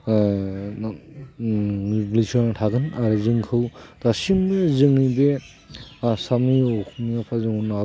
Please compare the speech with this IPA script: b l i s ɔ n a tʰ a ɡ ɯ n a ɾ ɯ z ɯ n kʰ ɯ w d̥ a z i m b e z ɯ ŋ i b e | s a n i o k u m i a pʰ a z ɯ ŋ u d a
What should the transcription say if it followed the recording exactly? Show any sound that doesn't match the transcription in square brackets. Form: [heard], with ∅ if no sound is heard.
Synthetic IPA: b l i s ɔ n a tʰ a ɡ ɯ n a ɾ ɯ z ɯ [ŋ] kʰ ɯ w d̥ a [s] i m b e z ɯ ŋ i b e | s a [m] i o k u m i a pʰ a z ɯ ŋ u [n] a